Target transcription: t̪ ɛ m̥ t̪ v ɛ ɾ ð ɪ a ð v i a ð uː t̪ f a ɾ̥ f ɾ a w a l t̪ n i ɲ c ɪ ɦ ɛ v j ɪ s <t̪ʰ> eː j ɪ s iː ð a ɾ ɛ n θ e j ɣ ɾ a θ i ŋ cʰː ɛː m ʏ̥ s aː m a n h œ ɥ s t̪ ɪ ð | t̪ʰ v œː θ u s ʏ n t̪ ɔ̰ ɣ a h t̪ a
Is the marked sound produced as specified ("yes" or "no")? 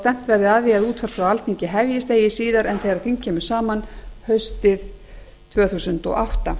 no